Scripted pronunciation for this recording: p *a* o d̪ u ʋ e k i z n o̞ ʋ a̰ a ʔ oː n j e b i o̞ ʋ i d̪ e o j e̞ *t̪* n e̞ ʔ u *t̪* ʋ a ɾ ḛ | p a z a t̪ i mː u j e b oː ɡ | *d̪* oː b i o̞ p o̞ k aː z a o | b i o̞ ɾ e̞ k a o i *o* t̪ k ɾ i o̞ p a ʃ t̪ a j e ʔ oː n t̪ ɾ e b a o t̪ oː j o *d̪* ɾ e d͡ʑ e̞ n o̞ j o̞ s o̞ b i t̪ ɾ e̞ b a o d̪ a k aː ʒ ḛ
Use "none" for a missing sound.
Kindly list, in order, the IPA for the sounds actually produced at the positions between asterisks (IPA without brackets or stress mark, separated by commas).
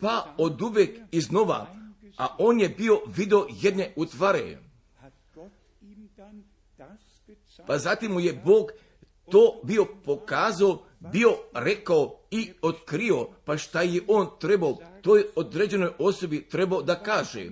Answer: a, d̪, t̪, t̪, o, d̪